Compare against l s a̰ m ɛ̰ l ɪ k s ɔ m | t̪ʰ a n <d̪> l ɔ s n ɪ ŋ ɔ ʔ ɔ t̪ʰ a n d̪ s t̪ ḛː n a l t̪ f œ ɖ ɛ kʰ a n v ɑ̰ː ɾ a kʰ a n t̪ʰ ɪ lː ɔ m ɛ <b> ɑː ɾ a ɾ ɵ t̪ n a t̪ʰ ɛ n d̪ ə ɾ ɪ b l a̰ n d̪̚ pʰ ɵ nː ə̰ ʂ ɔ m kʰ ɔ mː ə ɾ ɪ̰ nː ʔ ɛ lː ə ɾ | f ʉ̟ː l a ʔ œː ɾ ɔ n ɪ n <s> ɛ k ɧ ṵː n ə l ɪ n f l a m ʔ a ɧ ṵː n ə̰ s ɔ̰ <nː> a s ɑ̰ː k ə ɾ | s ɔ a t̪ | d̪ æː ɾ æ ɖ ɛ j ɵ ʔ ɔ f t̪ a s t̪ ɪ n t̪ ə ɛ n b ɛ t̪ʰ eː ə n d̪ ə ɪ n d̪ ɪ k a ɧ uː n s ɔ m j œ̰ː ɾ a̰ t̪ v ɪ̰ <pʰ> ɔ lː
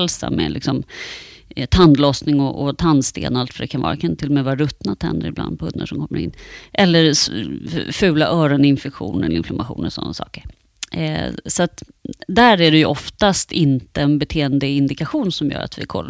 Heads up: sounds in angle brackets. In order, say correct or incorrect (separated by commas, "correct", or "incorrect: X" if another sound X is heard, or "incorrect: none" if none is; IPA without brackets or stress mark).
correct, incorrect: v, incorrect: f, correct, incorrect: kʰ